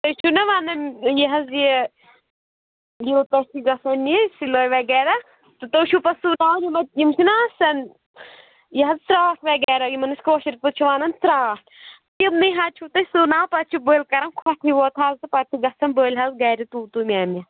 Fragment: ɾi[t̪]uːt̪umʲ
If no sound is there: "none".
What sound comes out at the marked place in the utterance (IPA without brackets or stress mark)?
t̪